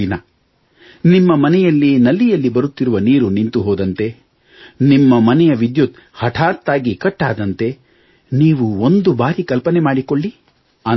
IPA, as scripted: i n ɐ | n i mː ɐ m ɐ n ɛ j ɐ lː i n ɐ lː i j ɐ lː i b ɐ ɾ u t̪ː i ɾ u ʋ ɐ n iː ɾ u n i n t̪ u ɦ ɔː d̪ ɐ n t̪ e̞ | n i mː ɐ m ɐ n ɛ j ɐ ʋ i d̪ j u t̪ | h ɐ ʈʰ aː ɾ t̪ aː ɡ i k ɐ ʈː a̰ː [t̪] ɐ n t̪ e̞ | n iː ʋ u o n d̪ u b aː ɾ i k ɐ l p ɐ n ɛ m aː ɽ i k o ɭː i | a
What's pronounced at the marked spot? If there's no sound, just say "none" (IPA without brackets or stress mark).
d̪